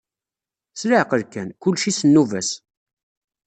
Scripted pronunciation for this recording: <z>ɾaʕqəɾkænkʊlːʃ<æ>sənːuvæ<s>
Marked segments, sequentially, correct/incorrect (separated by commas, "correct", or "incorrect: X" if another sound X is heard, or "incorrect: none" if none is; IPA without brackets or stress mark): incorrect: s, incorrect: i, correct